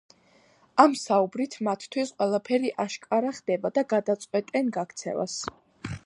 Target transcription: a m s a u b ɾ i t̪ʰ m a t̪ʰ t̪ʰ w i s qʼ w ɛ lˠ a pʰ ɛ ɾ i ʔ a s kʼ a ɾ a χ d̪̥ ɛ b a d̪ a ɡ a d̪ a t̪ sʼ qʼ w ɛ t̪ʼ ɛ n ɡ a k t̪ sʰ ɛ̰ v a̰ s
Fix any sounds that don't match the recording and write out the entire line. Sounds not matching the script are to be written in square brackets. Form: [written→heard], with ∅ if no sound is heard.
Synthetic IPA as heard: a m s a u b ɾ i t̪ʰ m a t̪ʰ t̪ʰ w i s qʼ w ɛ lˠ a pʰ ɛ ɾ i ʔ a [s→ʃ] kʼ a ɾ a χ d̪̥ ɛ b a d̪ a ɡ a d̪ a t̪ sʼ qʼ w ɛ t̪ʼ ɛ n ɡ a k t̪ sʰ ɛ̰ v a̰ s